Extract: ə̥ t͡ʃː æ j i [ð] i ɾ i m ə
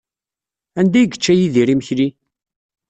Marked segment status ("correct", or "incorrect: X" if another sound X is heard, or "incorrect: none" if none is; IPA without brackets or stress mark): correct